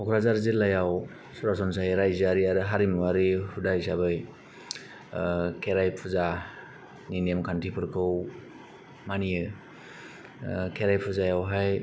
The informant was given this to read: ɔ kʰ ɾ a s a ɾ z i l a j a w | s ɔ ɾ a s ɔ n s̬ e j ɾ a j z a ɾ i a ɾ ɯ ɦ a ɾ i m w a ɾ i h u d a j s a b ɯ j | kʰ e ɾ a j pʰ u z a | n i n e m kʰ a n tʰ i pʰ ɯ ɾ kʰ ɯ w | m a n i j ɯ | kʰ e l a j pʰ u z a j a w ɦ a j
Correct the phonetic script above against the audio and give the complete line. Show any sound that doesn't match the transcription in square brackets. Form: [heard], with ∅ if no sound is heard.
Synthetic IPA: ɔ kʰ ɾ a [z] a ɾ z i l a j a w | s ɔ ɾ a s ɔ n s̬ [a] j ɾ a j z a ɾ i a ɾ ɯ ɦ a ɾ i m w a ɾ i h u d a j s a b ɯ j | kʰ e ɾ a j pʰ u z a | n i n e m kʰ a n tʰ i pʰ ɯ ɾ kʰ ɯ w | m a n i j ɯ | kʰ e [ɾ] a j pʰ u z a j a w ɦ a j